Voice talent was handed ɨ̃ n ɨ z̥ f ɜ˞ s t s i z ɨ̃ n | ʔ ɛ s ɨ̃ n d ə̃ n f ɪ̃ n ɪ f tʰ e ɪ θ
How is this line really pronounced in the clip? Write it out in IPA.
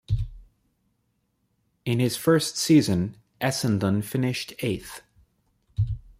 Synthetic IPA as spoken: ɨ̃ n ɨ z̥ f ɜ˞ s t s i z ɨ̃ n | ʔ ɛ s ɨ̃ n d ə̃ n f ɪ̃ n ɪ ʃ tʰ e ɪ θ